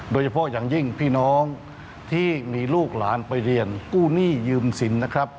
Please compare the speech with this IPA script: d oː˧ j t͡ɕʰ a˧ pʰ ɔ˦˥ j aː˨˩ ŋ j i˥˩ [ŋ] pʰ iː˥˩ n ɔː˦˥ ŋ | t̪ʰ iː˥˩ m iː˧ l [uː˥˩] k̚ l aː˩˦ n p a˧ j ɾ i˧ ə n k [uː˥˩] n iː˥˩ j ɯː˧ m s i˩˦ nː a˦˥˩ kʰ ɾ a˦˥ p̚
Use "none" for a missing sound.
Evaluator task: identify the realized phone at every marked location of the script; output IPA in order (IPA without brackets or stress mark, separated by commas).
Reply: ŋ, uː˥˩, uː˥˩